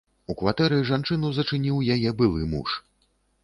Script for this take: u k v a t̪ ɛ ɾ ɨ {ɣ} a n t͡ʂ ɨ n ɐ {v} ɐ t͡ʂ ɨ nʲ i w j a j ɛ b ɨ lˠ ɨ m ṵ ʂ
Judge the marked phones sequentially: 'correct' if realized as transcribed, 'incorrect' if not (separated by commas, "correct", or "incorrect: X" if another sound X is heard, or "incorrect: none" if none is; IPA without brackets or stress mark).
incorrect: ʐ, incorrect: z